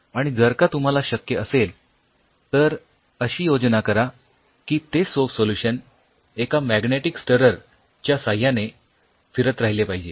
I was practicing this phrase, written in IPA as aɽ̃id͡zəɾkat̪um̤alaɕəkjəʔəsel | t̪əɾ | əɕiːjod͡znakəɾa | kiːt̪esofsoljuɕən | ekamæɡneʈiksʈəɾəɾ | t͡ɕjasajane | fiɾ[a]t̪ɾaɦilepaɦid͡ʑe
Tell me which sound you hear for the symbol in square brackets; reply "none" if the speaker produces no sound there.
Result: ə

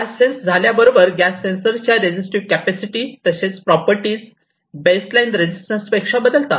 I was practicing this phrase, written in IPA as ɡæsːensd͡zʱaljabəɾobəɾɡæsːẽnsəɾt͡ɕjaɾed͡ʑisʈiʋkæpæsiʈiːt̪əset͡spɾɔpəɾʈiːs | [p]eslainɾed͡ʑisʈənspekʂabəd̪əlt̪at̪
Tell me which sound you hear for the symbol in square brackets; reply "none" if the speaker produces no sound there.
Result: b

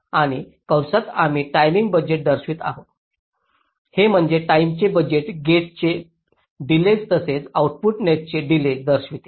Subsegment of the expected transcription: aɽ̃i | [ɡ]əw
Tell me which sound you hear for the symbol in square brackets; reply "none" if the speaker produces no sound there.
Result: k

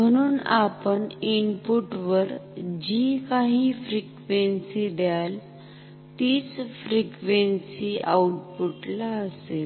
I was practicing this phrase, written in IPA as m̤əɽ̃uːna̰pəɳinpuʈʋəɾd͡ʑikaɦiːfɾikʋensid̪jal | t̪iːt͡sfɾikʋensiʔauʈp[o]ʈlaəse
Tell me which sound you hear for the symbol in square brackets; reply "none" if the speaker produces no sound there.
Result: u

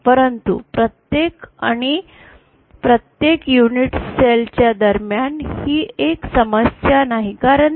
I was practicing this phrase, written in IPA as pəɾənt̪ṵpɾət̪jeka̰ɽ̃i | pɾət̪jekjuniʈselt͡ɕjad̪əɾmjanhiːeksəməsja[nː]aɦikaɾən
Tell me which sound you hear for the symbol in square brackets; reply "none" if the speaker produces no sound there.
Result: n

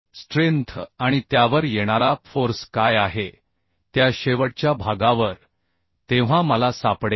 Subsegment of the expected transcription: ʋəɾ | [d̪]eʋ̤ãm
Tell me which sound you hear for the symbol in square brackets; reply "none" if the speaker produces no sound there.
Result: t̪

